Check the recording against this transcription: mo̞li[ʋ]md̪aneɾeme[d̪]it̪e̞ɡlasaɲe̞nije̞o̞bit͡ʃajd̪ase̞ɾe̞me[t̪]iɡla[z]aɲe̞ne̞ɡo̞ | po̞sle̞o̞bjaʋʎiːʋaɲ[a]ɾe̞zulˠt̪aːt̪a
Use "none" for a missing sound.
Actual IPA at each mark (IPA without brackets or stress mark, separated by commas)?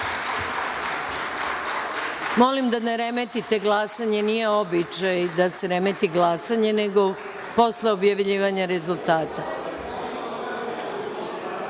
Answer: none, t̪, t̪, s, a